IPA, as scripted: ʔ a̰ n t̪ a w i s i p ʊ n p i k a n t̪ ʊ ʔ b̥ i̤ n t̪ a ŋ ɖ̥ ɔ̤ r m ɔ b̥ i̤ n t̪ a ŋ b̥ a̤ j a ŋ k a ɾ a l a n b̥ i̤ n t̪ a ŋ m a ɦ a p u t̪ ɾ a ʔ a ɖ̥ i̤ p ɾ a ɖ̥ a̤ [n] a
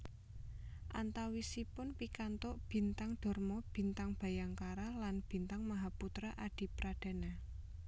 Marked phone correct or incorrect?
correct